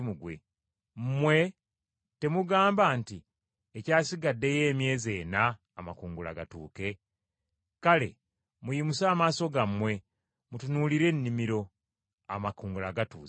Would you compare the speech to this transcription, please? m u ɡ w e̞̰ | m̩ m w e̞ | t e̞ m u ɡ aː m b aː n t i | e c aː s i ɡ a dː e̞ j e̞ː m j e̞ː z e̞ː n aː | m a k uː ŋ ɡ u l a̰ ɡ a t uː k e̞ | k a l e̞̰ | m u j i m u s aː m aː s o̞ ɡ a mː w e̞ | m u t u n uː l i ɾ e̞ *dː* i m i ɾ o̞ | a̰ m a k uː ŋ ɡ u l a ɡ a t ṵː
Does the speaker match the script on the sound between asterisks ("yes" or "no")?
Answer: no